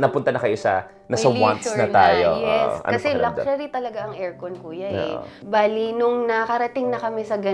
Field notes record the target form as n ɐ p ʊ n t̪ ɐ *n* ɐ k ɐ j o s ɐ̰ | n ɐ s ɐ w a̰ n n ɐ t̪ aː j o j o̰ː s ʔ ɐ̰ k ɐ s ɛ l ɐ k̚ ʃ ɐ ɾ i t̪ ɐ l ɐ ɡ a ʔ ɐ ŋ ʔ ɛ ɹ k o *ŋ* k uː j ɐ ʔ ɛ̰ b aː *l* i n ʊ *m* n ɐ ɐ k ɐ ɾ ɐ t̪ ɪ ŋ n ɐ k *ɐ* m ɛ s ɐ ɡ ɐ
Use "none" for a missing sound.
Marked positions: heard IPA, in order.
n, n, l, ŋ, ɐ

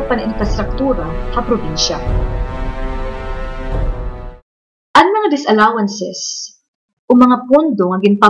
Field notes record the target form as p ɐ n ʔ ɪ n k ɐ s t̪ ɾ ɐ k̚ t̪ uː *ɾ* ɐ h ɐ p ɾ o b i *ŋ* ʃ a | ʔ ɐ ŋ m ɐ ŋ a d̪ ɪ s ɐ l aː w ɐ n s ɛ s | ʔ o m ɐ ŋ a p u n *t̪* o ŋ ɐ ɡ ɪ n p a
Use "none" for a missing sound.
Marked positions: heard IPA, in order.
ɾ, n, d̪

